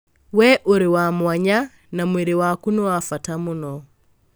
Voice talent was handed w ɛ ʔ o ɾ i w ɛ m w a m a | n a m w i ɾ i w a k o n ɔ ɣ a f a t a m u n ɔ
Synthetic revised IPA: w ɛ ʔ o ɾ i w a m w a ɲ a | n a m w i ɾ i w a k u n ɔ w a f a t a m u n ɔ